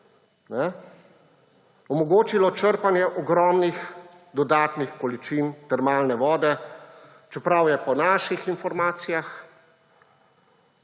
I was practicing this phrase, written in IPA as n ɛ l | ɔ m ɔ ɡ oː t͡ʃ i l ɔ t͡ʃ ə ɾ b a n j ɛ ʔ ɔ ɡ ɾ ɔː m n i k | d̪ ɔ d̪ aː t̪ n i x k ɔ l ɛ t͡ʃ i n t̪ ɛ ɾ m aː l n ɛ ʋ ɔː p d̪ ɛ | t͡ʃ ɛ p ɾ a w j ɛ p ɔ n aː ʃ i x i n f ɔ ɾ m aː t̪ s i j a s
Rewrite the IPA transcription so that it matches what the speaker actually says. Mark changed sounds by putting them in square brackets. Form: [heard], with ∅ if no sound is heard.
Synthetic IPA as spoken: n ɛ [∅] | ɔ m ɔ ɡ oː t͡ʃ i l ɔ t͡ʃ ə ɾ [p] a n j ɛ ʔ ɔ ɡ ɾ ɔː m n i [x] | d̪ ɔ d̪ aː t̪ n i x k ɔ l [i] t͡ʃ i n t̪ ɛ ɾ m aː l n ɛ ʋ ɔː [∅] d̪ ɛ | t͡ʃ ɛ p ɾ a w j ɛ p ɔ n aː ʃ i x i n f ɔ ɾ m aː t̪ s i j a [x]